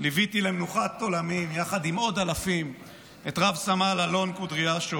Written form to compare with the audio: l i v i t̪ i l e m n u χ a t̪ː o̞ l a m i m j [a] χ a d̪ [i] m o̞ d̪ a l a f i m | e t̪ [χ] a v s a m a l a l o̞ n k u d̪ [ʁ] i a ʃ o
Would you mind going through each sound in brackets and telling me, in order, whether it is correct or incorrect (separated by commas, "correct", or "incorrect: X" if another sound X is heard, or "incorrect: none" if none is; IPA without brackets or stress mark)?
correct, correct, incorrect: ʁ, correct